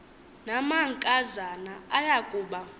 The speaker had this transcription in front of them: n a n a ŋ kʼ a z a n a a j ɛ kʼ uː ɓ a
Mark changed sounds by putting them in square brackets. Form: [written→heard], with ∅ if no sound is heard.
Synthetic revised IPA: n a [n→m] a ŋ kʼ a z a n a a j [ɛ→a] kʼ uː ɓ a